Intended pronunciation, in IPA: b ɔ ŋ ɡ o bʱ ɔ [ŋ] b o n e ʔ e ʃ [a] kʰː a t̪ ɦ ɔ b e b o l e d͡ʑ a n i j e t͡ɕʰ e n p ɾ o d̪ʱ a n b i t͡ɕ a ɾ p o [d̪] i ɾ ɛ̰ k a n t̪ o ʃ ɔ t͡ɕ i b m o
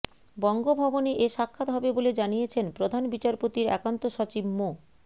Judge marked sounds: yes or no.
no, yes, no

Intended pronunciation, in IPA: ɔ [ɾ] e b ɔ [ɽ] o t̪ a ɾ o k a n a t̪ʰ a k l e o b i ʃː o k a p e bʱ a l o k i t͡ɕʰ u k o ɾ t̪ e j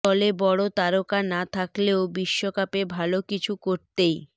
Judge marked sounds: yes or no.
no, yes

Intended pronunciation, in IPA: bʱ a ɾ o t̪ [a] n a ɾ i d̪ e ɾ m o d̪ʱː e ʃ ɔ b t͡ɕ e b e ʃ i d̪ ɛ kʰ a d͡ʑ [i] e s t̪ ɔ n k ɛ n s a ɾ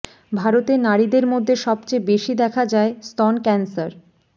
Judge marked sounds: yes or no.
no, no

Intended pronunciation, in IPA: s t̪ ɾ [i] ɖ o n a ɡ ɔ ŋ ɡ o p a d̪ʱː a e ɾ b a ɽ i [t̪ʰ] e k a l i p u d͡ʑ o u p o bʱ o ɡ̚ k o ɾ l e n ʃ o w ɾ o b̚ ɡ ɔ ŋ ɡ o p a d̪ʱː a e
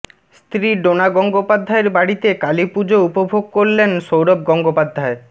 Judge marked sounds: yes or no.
yes, no

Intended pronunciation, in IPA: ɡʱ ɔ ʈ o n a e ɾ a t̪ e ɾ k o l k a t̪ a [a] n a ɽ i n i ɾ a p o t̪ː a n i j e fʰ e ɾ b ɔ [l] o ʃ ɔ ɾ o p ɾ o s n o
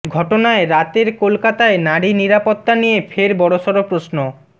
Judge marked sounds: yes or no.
no, no

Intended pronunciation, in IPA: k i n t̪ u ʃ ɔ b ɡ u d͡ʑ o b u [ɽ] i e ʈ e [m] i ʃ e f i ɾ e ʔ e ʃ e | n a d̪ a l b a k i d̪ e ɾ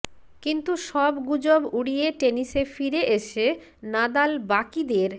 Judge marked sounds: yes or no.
yes, no

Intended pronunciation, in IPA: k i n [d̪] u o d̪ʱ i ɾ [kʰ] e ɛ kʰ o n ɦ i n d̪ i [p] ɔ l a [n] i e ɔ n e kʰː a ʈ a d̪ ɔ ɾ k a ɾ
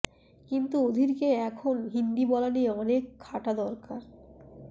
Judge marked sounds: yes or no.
no, no, no, yes

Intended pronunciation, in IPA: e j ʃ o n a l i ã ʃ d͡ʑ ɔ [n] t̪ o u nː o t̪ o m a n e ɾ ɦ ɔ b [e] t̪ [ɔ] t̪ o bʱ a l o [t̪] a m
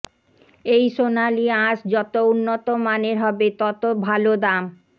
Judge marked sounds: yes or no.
no, yes, yes, no

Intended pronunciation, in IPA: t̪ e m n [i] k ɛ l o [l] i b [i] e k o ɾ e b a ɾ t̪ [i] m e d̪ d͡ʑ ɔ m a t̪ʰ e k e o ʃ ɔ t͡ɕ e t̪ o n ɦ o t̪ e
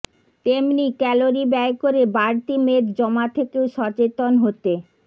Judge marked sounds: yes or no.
yes, no, no, yes

